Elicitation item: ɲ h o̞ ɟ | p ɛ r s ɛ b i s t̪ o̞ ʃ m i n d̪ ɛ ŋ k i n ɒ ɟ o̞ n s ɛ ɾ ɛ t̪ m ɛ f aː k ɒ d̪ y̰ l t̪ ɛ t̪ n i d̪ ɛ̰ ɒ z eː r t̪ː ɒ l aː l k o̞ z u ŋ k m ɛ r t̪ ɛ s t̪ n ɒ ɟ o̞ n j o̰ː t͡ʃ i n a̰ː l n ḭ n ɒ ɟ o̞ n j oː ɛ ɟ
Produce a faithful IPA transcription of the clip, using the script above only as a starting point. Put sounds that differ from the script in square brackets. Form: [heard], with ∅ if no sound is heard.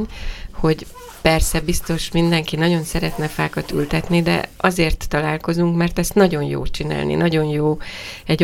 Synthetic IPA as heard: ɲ h o̞ ɟ | p ɛ r s ɛ b i s t̪ o̞ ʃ m i n d̪ ɛ ŋ k i n ɒ ɟ o̞ n s ɛ ɾ ɛ t̪ [n] ɛ f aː k ɒ [t̪] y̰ l t̪ ɛ t̪ n i d̪ ɛ̰ ɒ z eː r t̪ː ɒ l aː l k o̞ z u ŋ k m ɛ r t̪ ɛ s t̪ n ɒ ɟ o̞ n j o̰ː t͡ʃ i n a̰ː l n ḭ n ɒ ɟ o̞ n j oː ɛ ɟ